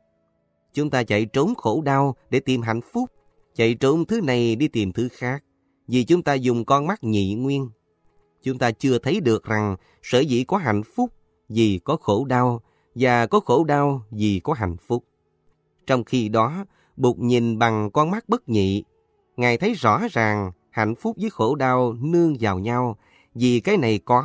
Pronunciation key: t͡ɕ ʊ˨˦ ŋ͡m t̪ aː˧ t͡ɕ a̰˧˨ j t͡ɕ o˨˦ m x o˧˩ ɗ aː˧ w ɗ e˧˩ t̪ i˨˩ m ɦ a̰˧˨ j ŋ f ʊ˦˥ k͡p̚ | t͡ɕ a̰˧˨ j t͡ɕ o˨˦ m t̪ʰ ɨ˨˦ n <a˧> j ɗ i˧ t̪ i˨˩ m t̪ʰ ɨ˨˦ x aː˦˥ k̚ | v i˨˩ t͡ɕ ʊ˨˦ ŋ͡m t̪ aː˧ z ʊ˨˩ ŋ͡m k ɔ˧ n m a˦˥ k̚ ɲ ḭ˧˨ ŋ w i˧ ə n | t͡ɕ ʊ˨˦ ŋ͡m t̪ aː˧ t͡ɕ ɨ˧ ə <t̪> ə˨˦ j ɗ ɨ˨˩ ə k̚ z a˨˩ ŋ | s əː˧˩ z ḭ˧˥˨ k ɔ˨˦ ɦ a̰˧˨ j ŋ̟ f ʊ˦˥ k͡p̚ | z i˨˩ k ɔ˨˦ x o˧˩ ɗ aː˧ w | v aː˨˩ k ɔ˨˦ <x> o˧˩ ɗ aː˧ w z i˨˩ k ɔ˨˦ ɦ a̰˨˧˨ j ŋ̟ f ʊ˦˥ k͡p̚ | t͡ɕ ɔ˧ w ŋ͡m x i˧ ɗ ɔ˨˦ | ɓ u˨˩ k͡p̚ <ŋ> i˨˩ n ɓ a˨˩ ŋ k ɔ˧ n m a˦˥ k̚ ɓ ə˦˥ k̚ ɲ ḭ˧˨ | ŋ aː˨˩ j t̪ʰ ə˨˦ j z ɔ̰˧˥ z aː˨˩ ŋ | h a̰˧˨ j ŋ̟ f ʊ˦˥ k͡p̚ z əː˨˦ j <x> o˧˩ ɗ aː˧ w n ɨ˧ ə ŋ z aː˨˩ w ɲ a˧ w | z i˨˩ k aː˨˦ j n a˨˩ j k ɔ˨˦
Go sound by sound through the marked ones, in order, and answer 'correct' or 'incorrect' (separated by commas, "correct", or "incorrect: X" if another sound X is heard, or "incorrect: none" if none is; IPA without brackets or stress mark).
incorrect: a˨˩, incorrect: t̪ʰ, correct, incorrect: ɲ, correct